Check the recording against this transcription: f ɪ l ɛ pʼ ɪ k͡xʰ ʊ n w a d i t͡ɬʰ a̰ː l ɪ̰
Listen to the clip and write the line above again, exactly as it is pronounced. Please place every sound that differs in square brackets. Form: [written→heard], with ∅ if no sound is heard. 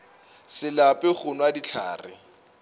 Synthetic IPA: [f→s] ɪ l [ɛ→a] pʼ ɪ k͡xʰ ʊ n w a d i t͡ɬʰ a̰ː [l→r] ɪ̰